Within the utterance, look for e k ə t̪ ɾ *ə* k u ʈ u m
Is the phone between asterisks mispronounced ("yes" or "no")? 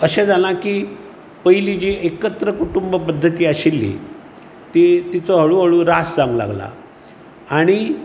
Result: no